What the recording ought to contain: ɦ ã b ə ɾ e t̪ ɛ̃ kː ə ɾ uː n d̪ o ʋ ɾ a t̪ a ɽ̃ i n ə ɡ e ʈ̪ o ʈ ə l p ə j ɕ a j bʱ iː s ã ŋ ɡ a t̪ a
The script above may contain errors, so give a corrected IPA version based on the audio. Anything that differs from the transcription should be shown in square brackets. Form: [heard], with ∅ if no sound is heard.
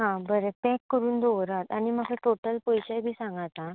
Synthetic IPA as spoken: ɦ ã b ə ɾ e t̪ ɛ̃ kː ə ɾ uː n d̪ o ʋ ɾ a t̪ a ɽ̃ i [m] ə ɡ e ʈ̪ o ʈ ə l p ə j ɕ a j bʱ iː s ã ŋ ɡ a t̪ a